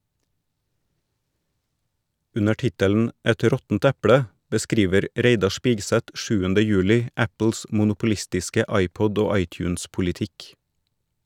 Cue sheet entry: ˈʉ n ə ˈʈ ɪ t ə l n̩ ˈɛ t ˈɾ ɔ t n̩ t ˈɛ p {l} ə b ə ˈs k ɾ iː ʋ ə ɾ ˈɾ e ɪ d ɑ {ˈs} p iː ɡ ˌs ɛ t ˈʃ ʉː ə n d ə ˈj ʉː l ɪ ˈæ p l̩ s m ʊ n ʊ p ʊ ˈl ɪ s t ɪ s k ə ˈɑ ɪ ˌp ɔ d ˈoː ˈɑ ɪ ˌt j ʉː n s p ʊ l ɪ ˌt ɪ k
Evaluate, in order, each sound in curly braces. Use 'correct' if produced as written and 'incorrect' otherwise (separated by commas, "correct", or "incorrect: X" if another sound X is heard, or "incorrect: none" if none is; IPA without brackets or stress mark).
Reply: incorrect: ɽ, incorrect: ʃ